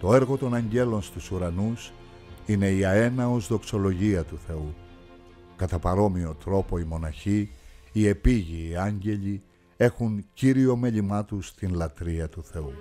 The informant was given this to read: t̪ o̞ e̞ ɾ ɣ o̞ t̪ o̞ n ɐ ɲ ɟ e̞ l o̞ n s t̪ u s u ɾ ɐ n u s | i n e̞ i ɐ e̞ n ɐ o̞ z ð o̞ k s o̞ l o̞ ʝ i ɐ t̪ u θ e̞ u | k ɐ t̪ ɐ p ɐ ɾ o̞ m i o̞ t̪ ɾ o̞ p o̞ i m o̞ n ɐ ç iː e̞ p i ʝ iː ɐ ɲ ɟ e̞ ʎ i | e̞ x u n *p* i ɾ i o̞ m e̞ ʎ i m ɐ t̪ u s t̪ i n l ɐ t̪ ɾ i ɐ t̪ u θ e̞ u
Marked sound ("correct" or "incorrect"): incorrect